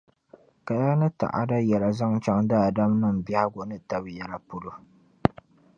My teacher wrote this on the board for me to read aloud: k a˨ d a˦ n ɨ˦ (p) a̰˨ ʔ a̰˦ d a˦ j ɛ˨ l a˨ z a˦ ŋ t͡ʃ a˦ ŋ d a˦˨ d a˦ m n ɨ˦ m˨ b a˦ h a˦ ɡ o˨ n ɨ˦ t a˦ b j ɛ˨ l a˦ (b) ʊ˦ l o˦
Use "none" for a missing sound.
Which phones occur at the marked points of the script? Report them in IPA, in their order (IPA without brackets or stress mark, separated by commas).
t, p